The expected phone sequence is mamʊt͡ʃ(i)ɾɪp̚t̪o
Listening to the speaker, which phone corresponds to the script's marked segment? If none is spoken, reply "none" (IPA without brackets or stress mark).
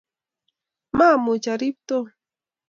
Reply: a